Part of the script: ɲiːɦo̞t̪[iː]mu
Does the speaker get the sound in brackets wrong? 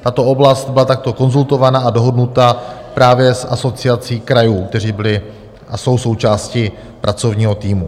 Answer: no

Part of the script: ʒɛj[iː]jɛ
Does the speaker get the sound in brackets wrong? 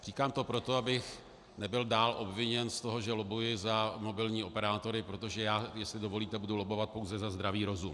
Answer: yes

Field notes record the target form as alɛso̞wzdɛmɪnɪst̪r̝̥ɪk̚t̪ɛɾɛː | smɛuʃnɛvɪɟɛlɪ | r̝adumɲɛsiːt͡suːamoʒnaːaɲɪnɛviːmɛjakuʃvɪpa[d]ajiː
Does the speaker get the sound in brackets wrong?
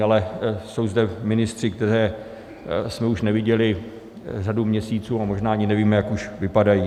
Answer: no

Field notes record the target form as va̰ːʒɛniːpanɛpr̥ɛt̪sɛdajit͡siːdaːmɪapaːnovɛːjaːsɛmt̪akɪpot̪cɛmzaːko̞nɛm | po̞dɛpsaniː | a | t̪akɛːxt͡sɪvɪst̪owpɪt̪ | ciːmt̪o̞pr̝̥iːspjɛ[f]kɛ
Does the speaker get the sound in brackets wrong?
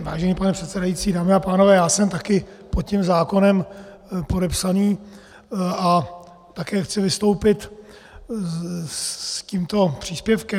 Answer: no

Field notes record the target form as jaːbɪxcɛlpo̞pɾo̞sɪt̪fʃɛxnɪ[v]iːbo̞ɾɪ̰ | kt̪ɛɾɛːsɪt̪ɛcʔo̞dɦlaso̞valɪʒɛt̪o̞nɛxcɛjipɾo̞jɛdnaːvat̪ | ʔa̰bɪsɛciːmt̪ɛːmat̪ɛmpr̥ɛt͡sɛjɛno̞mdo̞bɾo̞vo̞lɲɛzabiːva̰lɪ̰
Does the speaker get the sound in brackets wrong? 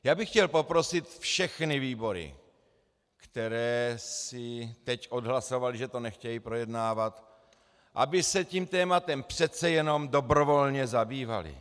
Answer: no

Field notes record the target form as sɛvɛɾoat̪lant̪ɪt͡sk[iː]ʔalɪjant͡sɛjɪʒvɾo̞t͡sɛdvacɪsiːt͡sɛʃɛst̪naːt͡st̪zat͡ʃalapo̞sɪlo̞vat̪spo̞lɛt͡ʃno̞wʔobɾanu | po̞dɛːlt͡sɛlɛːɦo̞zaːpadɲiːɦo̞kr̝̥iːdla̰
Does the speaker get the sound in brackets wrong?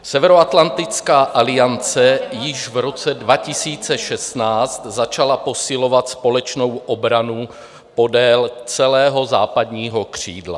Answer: yes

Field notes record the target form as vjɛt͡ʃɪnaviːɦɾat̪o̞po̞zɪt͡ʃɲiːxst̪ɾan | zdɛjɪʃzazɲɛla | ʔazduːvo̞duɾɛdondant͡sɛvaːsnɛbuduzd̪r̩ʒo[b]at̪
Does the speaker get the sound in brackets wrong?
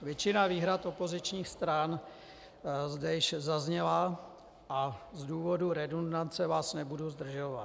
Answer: yes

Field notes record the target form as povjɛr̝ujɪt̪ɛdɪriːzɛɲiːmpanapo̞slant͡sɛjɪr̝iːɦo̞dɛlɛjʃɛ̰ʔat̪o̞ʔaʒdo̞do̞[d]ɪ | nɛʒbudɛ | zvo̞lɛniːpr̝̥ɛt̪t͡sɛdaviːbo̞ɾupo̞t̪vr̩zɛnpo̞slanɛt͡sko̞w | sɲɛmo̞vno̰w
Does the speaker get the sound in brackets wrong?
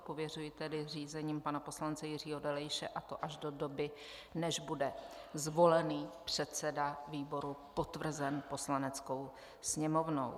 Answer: yes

